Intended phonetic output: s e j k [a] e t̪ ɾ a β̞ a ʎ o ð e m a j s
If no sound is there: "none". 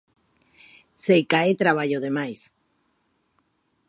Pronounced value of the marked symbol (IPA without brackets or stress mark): a